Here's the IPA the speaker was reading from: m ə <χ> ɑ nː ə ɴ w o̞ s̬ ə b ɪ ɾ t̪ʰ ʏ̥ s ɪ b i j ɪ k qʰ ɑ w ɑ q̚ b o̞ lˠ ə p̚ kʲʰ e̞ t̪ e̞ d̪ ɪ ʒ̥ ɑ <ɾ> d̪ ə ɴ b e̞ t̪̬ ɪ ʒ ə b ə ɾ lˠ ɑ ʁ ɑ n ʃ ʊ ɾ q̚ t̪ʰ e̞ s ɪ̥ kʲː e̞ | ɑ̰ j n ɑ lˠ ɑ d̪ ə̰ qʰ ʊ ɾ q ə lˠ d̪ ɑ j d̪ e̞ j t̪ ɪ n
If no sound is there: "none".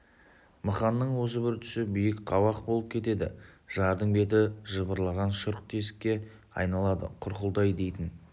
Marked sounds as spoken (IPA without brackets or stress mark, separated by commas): χ, ɾ